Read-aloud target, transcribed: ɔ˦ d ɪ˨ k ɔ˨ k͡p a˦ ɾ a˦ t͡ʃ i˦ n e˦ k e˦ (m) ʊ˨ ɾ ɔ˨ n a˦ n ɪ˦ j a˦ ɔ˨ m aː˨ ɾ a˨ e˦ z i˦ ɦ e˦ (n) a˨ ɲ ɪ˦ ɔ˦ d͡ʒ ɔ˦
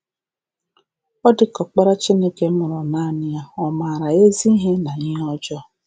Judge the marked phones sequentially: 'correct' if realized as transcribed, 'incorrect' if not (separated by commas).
correct, correct